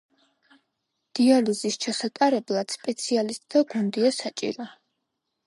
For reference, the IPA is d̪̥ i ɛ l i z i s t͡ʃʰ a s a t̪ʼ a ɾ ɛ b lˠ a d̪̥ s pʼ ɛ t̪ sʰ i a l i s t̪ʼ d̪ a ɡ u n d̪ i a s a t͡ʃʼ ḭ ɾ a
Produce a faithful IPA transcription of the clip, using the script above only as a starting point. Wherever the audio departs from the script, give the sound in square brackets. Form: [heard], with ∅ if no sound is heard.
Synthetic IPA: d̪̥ i [a] l i z i s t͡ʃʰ a s a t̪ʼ a ɾ ɛ b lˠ a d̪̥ s pʼ ɛ t̪ sʰ i a l i s t̪ʼ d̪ a ɡ u n d̪ i a s a t͡ʃʼ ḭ ɾ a